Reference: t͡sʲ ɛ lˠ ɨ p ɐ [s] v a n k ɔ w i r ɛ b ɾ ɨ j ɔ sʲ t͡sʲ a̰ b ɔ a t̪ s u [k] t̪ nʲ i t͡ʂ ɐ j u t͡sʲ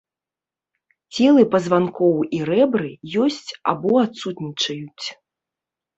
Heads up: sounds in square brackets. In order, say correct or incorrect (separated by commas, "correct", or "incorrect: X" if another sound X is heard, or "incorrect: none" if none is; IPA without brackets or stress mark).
incorrect: z, incorrect: none